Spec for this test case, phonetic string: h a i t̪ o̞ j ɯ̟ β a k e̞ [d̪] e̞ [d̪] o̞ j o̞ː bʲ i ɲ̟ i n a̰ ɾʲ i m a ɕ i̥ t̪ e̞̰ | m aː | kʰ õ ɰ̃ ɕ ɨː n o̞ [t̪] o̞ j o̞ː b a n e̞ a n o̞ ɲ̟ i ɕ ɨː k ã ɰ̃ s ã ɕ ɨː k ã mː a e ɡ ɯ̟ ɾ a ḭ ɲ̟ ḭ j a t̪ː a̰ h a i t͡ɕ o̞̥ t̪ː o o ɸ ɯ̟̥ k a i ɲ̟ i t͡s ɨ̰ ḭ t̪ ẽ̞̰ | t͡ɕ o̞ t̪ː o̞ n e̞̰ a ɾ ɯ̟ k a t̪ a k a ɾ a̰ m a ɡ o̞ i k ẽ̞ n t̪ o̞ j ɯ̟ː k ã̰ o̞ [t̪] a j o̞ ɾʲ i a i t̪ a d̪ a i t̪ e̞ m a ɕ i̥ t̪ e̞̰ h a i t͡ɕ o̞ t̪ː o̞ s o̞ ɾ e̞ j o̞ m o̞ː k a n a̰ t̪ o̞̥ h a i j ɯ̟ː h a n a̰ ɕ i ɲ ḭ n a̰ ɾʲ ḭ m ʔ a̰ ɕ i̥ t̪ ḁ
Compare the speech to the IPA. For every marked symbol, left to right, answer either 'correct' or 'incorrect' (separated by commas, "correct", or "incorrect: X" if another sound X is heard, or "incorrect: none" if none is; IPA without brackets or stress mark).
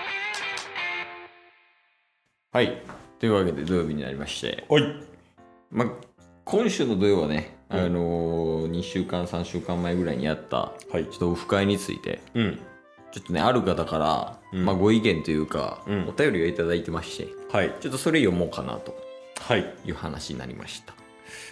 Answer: correct, correct, incorrect: d̪, correct